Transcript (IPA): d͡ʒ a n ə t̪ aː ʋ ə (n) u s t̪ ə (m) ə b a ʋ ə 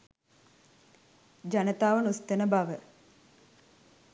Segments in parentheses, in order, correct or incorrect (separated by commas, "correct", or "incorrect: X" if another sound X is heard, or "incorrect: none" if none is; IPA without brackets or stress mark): correct, incorrect: n